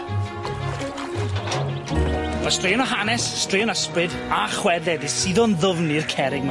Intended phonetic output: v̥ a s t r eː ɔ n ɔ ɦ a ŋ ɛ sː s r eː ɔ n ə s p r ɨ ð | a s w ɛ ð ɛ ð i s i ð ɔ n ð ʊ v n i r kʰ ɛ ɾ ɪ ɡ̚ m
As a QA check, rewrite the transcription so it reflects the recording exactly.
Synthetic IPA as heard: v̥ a s t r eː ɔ n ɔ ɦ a n ɛ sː t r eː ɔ n ə s p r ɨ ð | a χ w ɛ ð ɛ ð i s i ð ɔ n ð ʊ v n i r kʰ ɛ ɾ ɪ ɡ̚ m